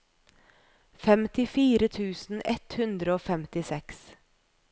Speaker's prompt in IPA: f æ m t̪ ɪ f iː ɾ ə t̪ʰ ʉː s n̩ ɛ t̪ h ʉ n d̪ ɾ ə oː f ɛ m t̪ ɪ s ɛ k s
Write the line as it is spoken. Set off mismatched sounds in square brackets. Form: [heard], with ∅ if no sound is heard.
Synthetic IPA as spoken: f [ɛ] m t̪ ɪ f iː ɾ ə t̪ʰ ʉː s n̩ ɛ t̪ h ʉ n d̪ ɾ ə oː f ɛ m t̪ ɪ s ɛ k s